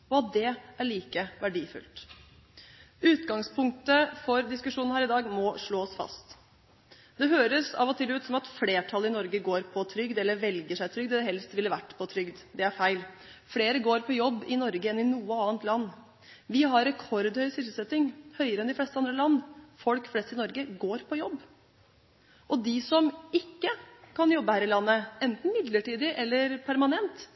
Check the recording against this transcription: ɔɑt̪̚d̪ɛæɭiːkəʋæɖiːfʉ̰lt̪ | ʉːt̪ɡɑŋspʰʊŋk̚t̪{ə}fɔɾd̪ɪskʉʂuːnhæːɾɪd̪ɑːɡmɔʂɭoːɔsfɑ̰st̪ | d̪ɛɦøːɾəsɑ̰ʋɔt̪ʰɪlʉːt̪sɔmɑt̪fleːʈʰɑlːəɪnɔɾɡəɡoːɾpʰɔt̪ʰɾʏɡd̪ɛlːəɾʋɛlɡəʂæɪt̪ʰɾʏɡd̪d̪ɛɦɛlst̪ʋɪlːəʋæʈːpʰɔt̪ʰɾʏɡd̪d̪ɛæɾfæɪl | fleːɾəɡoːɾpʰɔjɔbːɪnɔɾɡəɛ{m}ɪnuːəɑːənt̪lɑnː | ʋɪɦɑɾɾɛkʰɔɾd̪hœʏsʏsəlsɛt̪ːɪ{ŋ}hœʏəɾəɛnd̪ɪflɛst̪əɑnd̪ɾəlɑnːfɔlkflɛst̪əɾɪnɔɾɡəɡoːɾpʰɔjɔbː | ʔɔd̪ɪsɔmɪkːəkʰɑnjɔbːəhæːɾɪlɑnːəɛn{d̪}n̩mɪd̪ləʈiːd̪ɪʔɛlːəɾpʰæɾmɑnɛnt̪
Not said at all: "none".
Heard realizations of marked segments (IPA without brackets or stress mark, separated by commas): ə, n, ŋ, t̪